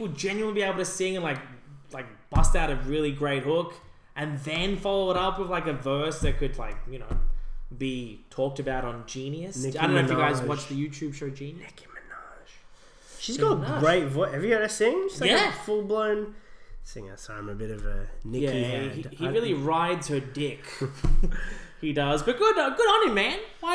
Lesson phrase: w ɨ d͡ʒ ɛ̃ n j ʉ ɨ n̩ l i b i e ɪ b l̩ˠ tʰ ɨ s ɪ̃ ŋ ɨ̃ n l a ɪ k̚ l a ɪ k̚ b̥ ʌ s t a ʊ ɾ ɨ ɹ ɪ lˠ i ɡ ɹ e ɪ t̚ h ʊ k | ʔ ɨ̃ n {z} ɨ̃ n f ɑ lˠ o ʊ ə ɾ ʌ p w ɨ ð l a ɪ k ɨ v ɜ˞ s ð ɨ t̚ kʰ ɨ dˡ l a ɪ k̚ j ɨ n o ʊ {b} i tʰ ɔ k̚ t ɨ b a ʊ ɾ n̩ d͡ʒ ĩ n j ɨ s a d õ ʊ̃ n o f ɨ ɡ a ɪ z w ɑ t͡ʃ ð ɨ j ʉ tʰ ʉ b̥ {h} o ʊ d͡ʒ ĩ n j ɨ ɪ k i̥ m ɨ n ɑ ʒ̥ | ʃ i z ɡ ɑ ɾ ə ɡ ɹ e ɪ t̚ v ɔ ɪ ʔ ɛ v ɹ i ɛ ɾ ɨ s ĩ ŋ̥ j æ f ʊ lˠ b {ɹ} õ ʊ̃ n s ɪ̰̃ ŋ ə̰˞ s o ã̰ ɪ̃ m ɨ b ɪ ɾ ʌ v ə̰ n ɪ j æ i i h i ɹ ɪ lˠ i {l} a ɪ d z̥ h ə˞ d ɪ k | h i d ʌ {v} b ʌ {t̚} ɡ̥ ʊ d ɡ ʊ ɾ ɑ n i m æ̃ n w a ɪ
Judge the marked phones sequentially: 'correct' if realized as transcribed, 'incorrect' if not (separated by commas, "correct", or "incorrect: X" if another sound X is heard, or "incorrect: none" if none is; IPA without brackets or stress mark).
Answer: incorrect: ð, correct, incorrect: ʃ, incorrect: l, incorrect: ɹ, incorrect: z, correct